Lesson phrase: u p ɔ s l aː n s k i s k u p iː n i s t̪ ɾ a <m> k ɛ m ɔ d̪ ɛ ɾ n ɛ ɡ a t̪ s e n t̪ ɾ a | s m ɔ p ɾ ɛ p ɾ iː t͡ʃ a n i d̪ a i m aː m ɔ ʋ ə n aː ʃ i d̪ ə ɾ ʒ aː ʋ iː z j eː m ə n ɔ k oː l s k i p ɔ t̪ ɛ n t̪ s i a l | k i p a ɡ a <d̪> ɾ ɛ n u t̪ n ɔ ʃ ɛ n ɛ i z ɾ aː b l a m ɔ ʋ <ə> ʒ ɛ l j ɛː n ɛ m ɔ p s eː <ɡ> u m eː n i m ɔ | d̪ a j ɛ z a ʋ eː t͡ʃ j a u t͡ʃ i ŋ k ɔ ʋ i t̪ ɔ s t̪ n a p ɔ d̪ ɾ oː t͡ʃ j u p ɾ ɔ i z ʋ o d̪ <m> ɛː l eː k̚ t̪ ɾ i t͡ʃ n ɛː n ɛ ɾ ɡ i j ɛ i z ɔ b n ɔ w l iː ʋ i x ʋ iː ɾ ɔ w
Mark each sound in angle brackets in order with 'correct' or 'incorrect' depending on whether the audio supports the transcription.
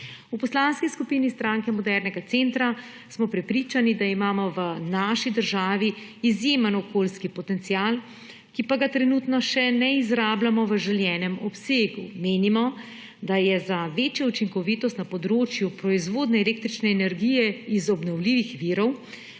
incorrect: ŋ, incorrect: t̪, correct, correct, incorrect: n

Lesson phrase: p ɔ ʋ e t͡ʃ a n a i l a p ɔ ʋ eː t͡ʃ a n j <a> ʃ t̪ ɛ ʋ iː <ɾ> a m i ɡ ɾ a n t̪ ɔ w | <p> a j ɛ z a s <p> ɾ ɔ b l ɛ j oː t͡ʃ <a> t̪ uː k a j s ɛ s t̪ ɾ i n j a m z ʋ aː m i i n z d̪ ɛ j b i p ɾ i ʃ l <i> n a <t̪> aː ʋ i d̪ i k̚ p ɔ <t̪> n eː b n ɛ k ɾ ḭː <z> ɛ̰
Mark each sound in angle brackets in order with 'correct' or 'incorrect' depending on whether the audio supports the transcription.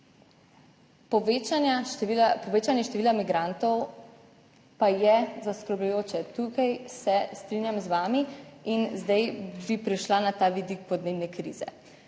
incorrect: ɛ, incorrect: l, correct, incorrect: k, incorrect: ɛ, incorrect: a, correct, incorrect: d̪, correct

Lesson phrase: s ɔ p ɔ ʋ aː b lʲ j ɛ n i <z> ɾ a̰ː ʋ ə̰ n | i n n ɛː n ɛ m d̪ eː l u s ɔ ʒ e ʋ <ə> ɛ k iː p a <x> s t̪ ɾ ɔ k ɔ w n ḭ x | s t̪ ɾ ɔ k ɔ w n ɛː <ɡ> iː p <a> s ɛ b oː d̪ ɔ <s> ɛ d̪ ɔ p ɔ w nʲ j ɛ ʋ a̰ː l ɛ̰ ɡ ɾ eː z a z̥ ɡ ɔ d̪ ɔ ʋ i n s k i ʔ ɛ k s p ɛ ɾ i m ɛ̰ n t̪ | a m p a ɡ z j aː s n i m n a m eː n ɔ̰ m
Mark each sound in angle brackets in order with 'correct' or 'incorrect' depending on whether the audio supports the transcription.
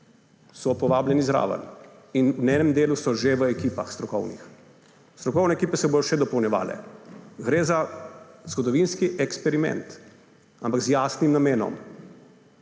correct, correct, correct, incorrect: k, incorrect: ɛ, incorrect: ʃ

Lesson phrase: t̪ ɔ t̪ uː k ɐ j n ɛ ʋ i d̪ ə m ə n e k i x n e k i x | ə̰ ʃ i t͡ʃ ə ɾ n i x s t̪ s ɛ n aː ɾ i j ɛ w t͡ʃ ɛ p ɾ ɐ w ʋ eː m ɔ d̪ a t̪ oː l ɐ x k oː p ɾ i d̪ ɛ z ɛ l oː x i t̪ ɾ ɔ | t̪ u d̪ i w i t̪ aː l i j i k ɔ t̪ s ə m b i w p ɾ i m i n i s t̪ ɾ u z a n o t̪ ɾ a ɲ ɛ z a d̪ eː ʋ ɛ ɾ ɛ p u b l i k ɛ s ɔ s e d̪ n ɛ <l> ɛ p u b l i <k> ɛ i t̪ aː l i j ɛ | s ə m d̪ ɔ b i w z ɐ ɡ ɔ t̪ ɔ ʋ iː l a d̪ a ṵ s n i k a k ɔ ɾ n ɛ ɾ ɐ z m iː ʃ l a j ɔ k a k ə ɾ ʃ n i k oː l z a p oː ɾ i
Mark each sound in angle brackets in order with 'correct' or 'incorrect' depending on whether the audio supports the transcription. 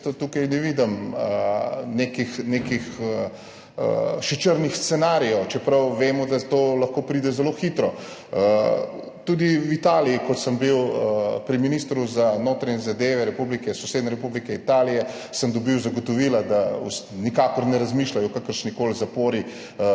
incorrect: ɾ, correct

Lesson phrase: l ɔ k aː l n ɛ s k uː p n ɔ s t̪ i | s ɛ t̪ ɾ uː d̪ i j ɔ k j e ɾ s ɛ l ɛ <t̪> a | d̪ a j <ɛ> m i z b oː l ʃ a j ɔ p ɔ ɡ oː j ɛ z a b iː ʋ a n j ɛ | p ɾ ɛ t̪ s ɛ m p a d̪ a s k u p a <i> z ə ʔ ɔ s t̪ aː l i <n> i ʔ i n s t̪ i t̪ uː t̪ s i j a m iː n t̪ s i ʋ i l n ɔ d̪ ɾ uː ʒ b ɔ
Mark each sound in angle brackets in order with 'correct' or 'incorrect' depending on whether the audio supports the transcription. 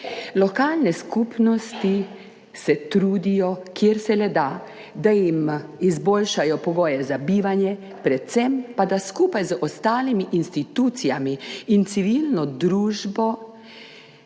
incorrect: d̪, incorrect: i, incorrect: j, incorrect: m

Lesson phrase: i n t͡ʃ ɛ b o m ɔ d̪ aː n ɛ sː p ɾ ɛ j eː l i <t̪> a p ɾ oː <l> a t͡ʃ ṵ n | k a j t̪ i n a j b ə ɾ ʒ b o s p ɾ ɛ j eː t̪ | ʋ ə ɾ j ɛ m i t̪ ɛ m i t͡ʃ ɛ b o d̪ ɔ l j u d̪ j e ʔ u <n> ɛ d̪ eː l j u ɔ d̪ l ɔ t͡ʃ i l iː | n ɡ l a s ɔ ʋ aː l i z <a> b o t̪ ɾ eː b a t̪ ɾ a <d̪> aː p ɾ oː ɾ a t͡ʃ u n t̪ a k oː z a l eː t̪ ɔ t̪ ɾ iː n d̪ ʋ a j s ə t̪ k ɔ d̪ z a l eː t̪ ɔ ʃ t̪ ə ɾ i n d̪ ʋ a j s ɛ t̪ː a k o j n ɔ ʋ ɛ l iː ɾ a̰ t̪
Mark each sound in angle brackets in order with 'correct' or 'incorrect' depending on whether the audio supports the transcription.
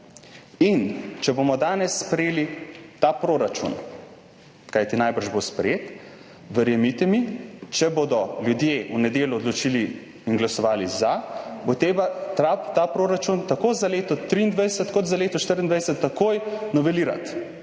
correct, incorrect: ɾ, correct, correct, incorrect: t̪

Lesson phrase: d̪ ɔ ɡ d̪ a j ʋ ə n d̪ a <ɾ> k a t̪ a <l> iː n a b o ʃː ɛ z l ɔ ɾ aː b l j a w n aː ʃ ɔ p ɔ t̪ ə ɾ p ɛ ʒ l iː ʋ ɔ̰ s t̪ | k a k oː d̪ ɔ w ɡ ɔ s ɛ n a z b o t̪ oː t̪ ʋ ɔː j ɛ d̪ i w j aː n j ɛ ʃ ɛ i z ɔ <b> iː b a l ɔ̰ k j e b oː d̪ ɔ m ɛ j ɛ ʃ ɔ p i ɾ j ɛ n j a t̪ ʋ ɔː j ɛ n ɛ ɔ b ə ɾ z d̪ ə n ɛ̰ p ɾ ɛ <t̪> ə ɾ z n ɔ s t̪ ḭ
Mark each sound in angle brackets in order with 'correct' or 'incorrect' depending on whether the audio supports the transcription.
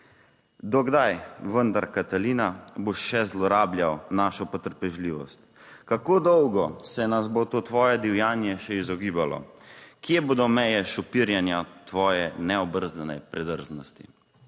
correct, correct, incorrect: ɡ, incorrect: d̪

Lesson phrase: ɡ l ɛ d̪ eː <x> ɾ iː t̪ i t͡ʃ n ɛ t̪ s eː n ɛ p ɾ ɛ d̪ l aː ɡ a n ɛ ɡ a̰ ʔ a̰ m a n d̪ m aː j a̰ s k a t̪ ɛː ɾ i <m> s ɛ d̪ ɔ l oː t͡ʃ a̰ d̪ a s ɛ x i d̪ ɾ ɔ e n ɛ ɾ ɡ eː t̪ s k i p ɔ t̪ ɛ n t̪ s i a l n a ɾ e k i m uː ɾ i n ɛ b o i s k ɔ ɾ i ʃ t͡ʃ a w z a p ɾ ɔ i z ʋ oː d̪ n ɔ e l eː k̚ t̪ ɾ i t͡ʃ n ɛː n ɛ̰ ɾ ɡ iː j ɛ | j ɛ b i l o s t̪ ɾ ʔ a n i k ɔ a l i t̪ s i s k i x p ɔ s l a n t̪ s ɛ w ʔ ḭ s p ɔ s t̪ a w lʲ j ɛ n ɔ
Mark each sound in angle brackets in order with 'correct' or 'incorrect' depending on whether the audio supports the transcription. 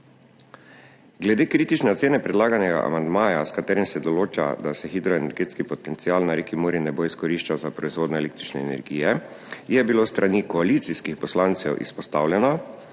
incorrect: k, correct

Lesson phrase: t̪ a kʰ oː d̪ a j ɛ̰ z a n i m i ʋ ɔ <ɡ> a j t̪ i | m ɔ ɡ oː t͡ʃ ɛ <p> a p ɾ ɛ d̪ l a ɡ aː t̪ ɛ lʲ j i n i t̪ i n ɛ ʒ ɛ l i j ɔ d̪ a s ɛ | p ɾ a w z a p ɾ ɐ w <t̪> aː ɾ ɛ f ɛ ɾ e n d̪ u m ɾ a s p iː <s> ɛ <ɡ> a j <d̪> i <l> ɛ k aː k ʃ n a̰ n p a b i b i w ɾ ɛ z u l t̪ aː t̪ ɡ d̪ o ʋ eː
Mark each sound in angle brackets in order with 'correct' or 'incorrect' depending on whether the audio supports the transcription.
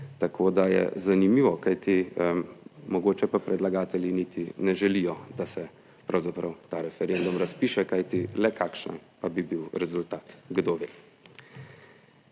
incorrect: k, correct, correct, incorrect: ʃ, incorrect: k, incorrect: t̪, correct

